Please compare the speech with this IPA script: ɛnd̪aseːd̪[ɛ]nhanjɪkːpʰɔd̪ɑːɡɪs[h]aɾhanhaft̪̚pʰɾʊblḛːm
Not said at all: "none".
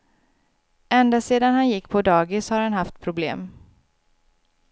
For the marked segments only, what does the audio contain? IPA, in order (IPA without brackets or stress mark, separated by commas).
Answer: a, h